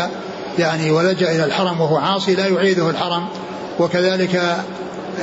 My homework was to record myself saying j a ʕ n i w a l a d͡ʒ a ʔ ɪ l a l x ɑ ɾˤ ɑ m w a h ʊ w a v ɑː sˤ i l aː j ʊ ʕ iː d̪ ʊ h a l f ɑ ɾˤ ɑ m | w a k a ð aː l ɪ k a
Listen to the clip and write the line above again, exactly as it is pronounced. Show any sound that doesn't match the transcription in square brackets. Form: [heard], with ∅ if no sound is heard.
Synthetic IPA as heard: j a ʕ n i w a l a d͡ʒ a ʔ ɪ l a l [ħ] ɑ ɾˤ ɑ m w a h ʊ w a [ʕ] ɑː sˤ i l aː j ʊ ʕ iː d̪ ʊ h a l [ħ] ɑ ɾˤ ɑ m | w a k a ð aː l ɪ k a